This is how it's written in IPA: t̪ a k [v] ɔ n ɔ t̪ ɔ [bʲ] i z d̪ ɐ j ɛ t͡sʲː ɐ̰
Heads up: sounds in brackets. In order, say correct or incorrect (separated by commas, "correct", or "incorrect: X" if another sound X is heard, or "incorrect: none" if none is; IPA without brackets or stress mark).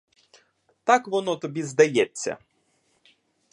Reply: incorrect: ʋ, correct